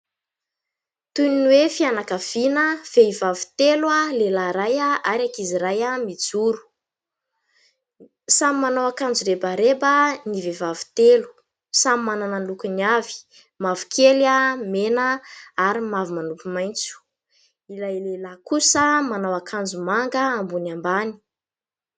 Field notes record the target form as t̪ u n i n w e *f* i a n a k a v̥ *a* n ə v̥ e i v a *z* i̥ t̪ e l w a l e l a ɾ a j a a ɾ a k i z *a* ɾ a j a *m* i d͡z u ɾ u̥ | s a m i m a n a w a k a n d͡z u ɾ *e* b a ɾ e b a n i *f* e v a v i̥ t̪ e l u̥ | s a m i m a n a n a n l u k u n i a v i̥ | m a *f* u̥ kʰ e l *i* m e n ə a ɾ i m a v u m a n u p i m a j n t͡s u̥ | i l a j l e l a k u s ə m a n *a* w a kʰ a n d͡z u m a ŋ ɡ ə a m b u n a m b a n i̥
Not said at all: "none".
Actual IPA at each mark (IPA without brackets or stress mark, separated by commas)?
f, i, v, i, m, e, v, v, a, a